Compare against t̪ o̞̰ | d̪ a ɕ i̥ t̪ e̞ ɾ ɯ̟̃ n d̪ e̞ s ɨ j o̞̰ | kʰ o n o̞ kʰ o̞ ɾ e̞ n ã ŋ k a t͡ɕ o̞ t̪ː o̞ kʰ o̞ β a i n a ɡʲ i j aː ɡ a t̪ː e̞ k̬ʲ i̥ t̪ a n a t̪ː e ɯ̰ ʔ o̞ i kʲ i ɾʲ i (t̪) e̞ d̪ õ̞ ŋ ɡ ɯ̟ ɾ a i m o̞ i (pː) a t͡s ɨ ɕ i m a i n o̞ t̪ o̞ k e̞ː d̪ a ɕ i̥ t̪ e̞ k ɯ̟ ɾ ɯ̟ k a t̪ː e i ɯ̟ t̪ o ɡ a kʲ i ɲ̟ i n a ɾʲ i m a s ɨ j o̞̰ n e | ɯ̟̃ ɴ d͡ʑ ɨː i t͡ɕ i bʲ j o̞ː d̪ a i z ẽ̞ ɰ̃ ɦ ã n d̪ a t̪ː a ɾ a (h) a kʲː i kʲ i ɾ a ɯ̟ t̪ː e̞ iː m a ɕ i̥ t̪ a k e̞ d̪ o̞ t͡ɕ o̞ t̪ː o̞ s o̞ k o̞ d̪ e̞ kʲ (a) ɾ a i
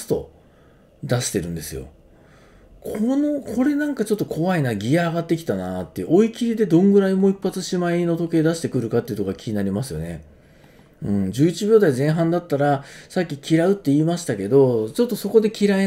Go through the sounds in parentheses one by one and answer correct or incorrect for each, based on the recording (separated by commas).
incorrect, correct, incorrect, incorrect